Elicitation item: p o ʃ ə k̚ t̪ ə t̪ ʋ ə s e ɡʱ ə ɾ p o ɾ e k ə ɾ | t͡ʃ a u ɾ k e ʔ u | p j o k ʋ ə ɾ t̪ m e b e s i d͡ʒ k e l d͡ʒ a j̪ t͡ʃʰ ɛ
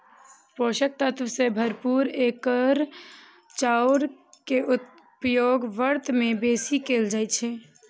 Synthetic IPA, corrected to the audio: p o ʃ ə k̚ t̪ ə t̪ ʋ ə s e bʱ ə ɾ p u ɾ e k ə ɾ | t͡ʃ a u ɾ k e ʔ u | p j o ɡ ʋ ə ɾ t̪ m e b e s i k e l d͡ʒ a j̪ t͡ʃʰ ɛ